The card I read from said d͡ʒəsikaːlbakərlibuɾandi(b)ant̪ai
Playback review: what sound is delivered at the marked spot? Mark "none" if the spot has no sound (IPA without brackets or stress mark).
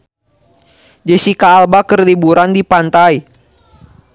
p